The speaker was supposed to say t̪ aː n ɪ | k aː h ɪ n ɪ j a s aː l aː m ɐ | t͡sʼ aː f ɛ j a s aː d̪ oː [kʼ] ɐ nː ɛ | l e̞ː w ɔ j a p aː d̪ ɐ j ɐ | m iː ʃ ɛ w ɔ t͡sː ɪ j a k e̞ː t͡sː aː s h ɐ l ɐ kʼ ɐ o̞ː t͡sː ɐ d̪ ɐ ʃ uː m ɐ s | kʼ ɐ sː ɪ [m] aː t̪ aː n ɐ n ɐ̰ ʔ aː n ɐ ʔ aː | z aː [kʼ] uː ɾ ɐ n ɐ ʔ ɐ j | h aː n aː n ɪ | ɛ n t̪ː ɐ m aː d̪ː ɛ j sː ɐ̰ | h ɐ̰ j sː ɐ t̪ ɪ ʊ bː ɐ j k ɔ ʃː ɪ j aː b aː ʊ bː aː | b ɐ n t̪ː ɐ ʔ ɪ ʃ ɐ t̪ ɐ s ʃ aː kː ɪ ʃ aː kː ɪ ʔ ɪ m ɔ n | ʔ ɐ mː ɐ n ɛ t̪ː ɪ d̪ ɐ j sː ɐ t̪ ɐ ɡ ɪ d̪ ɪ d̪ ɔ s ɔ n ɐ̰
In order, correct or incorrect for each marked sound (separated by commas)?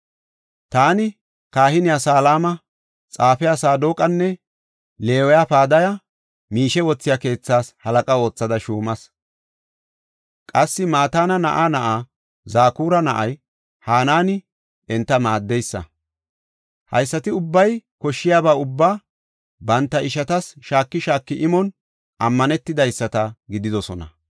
correct, correct, incorrect